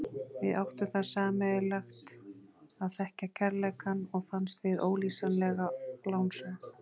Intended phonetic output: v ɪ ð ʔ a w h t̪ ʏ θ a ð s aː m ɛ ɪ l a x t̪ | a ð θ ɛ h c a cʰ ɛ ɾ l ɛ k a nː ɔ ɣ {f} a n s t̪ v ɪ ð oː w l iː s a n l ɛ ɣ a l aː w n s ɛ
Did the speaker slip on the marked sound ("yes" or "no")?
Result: no